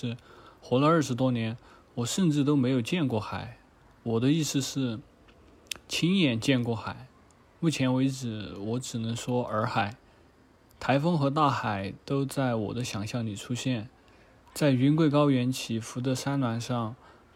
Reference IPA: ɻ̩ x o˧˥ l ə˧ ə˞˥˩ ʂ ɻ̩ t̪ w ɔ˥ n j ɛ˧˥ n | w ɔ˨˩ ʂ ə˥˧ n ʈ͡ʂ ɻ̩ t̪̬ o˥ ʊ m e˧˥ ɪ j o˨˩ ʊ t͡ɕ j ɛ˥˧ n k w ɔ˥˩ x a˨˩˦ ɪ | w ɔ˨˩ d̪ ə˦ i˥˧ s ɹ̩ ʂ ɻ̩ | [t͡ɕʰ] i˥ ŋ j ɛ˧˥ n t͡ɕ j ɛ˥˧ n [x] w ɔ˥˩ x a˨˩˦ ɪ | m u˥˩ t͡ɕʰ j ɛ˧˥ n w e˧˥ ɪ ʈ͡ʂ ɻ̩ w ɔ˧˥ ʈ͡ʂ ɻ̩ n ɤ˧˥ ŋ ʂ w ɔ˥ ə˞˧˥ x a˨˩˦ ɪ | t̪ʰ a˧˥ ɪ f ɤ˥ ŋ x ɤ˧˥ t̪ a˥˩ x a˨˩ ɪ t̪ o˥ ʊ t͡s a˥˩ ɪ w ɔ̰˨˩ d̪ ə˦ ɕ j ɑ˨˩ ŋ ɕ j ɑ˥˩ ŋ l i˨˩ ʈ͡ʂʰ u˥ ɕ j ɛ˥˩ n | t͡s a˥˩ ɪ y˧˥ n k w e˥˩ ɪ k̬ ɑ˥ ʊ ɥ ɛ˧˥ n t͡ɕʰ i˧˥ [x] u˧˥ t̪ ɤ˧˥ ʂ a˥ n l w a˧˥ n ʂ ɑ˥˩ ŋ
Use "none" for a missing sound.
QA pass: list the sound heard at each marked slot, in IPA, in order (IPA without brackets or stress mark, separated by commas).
t͡ɕʰ, k, f